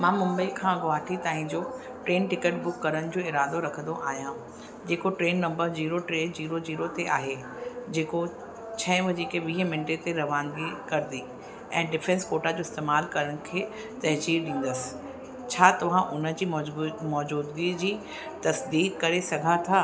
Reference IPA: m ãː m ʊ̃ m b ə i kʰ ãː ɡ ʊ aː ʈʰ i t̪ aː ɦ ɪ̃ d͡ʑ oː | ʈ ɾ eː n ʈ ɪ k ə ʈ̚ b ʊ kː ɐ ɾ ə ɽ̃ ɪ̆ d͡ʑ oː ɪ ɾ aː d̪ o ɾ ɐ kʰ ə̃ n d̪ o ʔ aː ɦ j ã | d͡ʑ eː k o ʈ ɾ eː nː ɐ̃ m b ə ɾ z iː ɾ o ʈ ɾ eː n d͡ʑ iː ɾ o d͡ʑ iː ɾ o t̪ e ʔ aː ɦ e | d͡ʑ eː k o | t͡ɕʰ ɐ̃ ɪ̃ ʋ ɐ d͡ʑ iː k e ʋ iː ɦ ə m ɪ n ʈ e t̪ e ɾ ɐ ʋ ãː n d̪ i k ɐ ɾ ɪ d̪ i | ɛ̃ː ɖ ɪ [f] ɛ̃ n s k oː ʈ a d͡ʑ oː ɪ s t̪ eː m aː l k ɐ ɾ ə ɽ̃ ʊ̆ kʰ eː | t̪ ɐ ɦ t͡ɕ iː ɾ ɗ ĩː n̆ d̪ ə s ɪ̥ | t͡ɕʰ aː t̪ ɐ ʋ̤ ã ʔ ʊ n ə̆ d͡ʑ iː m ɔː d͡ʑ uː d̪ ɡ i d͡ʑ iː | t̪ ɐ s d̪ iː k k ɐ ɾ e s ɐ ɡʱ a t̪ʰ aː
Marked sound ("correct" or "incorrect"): correct